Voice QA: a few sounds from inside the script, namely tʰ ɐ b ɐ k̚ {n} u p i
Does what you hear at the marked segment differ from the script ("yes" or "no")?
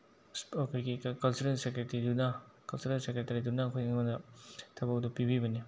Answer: yes